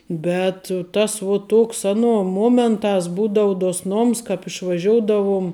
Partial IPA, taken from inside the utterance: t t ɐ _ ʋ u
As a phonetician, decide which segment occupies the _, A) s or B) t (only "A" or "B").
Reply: A